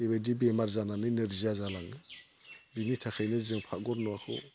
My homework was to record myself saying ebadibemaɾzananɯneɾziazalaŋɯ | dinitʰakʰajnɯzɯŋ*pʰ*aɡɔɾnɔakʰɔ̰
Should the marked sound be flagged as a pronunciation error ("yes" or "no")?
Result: no